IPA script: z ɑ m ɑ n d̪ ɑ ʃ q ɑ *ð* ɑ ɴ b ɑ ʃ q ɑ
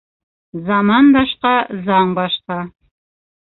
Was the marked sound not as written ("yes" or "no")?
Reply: yes